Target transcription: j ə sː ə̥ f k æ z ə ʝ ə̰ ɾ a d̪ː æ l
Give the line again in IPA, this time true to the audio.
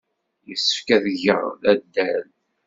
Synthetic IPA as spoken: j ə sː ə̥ f k æ ð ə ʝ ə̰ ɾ æ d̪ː æ l